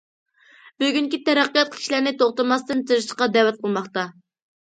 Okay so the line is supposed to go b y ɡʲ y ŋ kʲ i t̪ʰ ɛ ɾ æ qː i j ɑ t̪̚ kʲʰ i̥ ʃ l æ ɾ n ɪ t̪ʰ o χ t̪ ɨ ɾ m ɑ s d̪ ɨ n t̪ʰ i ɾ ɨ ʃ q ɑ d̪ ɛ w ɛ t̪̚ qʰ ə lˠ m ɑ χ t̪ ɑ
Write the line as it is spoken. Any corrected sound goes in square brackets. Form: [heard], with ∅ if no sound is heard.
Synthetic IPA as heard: b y ɡʲ y ŋ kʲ i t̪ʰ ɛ ɾ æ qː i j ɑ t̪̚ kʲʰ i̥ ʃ l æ ɾ n ɪ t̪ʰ o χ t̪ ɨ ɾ m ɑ s [t̪] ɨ n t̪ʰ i ɾ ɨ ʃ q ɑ d̪ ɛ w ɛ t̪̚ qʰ ə lˠ m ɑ χ t̪ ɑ